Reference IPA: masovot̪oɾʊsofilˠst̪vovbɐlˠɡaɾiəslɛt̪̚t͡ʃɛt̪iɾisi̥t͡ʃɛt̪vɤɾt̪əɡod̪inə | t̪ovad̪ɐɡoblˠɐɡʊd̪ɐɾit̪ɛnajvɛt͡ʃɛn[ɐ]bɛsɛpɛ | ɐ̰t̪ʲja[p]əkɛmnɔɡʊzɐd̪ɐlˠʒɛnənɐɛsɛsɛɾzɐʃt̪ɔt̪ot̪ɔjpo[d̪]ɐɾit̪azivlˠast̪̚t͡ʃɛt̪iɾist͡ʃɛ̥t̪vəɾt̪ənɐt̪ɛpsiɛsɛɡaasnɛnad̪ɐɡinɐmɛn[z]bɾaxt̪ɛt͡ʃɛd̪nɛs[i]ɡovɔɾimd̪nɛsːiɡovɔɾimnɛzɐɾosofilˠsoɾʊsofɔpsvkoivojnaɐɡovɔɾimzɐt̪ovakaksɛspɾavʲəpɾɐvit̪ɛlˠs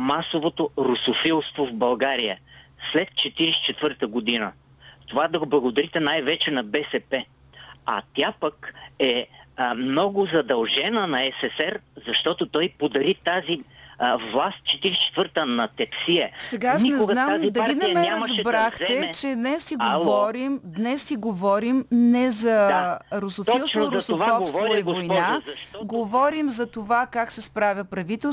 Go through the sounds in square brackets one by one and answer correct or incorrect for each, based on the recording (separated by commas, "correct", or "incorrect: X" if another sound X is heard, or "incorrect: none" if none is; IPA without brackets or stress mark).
correct, correct, correct, correct, correct